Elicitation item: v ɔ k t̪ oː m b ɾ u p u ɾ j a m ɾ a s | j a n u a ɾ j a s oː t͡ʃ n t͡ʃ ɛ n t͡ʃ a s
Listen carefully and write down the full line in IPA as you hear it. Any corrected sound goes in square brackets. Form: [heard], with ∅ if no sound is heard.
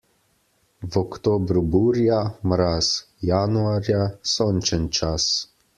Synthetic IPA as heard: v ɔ k t̪ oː [∅] b ɾ u [b] u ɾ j a m ɾ a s | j a n u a ɾ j a s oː [∅] n t͡ʃ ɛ n t͡ʃ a s